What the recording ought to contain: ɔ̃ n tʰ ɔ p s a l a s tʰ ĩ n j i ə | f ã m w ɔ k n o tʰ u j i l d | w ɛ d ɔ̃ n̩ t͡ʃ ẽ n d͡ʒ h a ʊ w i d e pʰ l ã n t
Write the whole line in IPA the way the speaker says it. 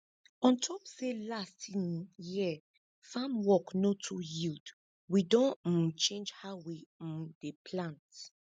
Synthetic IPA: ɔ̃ n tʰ ɔ p s e l a s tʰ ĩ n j i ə | f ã m w ɔ k n o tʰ u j i l d | w i d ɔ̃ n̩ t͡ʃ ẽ n d͡ʒ h a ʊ w i d e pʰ l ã n t